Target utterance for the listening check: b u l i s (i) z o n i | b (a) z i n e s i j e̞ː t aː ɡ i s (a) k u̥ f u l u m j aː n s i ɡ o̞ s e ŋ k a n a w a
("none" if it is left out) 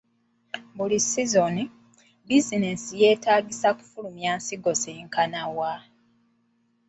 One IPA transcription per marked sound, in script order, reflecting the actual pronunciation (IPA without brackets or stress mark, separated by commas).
i, i, a